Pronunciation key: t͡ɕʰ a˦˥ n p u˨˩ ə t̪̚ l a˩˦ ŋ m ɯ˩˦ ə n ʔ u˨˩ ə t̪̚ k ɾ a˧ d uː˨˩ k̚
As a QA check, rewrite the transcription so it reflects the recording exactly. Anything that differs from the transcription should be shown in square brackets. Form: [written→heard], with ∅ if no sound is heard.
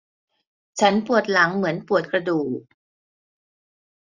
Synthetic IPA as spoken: t͡ɕʰ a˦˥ n p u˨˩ ə t̪̚ l a˩˦ ŋ m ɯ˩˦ ə n [ʔ→p] u˨˩ ə t̪̚ k ɾ a˧ d uː˨˩ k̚